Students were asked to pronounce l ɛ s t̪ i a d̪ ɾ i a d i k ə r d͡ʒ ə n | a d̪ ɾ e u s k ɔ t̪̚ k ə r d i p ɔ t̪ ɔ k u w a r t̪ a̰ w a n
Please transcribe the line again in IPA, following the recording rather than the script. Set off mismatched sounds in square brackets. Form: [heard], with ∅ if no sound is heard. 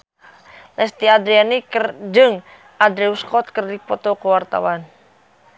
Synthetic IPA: l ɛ s t̪ i a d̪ ɾ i a [n] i k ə r d͡ʒ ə [ŋ] | a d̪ ɾ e u s k ɔ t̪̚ k ə r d i p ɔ t̪ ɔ k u w a r t̪ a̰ w a n